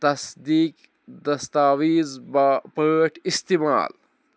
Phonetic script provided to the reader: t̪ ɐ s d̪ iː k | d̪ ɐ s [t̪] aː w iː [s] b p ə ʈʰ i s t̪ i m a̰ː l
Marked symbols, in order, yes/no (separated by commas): yes, no